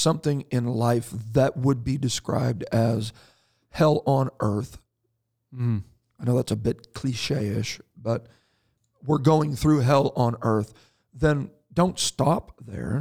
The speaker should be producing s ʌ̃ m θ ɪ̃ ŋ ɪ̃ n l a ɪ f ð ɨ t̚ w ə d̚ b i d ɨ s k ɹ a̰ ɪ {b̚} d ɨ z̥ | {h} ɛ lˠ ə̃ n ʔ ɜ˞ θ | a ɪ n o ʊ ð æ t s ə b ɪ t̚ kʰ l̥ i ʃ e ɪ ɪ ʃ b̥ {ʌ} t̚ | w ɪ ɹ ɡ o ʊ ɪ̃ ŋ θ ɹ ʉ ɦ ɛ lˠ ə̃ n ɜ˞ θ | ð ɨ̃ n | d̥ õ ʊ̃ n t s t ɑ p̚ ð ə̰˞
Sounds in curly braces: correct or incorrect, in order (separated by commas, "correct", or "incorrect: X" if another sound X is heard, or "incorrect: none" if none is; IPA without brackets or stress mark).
correct, correct, correct